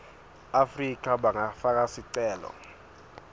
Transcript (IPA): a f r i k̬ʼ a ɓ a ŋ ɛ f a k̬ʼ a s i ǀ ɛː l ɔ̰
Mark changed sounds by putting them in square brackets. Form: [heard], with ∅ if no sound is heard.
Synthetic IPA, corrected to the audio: a f r i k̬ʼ a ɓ a ŋ [a] f a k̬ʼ a s i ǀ ɛː l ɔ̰